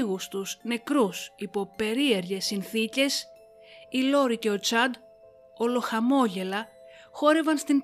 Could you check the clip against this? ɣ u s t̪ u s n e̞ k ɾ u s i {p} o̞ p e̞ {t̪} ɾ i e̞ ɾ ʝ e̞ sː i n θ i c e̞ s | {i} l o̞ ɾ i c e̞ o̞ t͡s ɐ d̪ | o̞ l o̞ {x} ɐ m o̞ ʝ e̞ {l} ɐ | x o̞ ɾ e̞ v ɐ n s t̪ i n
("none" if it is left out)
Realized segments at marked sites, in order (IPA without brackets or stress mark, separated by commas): p, none, i, x, l